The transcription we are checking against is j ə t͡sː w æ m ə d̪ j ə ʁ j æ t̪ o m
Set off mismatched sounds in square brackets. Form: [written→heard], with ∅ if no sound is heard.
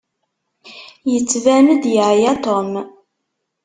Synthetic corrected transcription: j ə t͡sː [w→v] æ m ə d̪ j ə [ʁ→ʕ] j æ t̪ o m